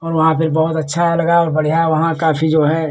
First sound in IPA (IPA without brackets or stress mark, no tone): ɔː